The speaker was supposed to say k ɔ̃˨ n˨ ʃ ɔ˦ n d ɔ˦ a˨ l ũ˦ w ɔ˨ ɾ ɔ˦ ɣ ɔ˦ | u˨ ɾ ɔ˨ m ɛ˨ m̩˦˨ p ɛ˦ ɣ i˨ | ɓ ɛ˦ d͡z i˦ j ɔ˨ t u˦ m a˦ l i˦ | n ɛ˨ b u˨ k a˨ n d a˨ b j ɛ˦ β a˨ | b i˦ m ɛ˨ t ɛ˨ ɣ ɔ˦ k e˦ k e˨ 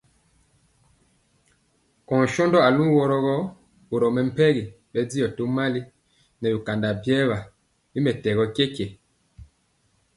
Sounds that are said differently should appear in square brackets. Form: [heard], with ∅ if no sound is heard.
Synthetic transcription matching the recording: k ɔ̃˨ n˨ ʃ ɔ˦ n d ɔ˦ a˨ l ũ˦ w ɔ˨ ɾ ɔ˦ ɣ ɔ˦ | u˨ ɾ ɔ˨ m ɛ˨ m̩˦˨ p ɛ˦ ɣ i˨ | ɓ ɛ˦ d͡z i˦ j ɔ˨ t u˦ m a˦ l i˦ | n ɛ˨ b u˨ k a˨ n d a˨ b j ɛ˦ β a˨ | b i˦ m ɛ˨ t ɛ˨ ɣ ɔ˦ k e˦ k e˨